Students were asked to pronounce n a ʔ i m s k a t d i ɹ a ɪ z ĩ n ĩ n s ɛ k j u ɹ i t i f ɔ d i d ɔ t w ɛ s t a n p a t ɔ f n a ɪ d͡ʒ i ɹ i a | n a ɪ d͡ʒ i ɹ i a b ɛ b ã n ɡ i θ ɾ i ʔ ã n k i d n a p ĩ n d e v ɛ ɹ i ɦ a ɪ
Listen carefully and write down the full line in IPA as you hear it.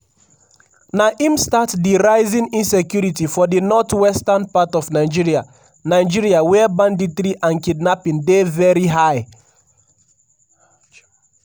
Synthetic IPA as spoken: n a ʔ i m s t a t d i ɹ a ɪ z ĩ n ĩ n s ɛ k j u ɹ i t i f ɔ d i n ɔ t w ɛ s t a n p a t ɔ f n a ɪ d͡ʒ i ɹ i a | n a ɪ d͡ʒ i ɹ i a w ɛ b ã n d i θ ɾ i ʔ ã n k i d n a p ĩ n d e v ɛ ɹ i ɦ a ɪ